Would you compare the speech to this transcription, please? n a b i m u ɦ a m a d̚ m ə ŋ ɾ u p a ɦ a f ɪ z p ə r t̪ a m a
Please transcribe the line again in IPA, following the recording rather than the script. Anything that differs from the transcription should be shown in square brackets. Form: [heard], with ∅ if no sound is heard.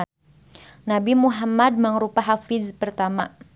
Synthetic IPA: n a b i m u ɦ a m a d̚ m ə ŋ ɾ u p a ɦ a f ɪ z p ə r t̪ a m a